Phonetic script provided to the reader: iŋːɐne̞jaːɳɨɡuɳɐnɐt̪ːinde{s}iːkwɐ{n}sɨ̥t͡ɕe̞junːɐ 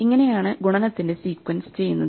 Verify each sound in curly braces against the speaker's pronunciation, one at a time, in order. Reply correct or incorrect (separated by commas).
correct, correct